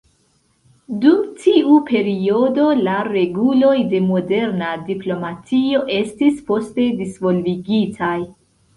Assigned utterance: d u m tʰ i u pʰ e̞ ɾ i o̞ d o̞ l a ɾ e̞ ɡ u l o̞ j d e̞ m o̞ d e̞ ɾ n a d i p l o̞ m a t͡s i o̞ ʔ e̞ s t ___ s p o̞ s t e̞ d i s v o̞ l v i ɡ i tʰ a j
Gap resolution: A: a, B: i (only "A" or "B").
B